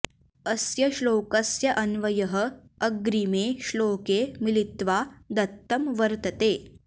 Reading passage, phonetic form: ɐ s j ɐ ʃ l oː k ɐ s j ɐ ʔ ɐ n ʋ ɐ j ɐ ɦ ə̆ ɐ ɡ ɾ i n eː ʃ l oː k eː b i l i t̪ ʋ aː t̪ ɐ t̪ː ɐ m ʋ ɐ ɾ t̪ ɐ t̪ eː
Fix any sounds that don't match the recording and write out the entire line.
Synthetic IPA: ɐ s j ɐ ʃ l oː k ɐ s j ɐ ʔ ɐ n ʋ ɐ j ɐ ɦ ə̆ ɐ ɡ ɾ i m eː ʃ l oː k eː m i l i t̪ ʋ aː d̪ ɐ t̪ː ɐ m ʋ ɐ ɾ t̪ ɐ t̪ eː